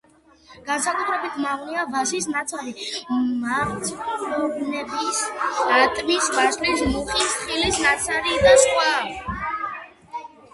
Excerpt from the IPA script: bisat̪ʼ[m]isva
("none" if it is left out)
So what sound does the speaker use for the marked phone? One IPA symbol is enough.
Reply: m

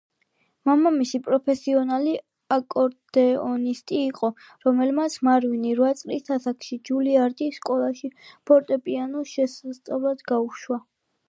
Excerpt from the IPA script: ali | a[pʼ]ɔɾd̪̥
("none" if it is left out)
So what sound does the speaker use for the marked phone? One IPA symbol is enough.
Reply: kʼ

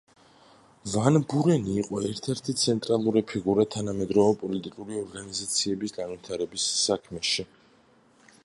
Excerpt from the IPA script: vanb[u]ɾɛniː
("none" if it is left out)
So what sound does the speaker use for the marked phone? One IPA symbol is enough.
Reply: u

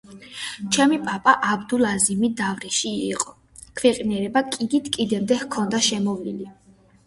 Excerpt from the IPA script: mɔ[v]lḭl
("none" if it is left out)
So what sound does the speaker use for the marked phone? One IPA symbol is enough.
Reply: v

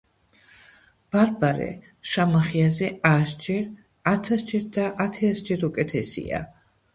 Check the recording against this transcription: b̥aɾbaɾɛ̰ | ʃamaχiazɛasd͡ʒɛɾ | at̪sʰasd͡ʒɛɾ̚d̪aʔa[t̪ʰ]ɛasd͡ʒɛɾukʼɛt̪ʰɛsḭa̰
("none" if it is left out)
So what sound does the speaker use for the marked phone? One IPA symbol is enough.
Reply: t̪ʰ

